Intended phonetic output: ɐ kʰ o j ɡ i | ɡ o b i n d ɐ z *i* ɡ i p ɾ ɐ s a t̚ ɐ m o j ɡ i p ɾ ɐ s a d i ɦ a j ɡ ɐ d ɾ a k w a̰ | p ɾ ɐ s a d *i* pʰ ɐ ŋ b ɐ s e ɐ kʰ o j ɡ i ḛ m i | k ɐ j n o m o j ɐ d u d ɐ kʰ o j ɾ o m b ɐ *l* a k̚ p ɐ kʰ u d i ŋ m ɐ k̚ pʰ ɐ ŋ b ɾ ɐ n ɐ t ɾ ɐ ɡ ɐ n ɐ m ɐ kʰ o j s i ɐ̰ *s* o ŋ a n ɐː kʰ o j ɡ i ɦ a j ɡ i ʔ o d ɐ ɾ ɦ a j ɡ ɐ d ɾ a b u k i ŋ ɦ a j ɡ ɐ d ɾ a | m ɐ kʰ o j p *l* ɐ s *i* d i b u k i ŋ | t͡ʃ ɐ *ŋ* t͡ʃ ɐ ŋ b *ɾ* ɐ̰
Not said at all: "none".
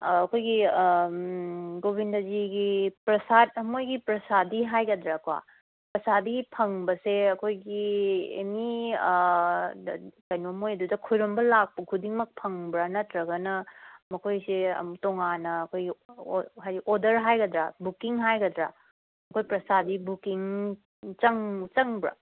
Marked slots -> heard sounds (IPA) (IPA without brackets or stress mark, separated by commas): i, i, l, t, ɾ, a, ŋ, ɾ